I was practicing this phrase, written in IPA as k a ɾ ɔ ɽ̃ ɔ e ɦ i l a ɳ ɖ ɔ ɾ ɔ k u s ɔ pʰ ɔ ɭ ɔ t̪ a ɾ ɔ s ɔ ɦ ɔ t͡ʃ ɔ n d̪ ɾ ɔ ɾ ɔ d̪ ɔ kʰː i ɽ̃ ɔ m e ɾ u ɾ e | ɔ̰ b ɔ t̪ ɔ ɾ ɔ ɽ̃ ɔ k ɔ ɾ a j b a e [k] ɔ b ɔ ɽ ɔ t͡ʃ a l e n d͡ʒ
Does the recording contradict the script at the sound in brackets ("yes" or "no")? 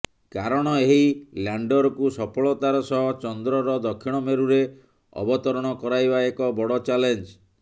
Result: no